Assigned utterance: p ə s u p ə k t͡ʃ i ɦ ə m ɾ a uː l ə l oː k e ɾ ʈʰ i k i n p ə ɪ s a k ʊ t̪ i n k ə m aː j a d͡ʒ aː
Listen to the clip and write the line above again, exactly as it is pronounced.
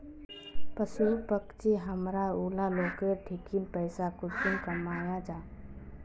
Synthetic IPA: p ə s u p ə k t͡ʃ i ɦ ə m ɾ a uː l a l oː k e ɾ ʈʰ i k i n p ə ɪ s a k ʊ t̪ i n k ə m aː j a d͡ʒ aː